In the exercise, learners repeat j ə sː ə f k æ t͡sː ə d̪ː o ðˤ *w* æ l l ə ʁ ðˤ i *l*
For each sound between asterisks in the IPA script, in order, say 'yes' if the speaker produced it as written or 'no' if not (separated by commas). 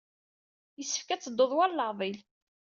yes, yes